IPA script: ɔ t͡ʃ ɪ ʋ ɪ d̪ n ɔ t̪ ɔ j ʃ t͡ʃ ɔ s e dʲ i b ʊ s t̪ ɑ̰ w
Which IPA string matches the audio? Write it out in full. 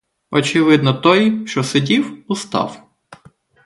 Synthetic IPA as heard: ɔ t͡ʃ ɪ ʋ ɪ d̪ n ɔ t̪ ɔ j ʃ t͡ʃ ɔ s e dʲ i w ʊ s t̪ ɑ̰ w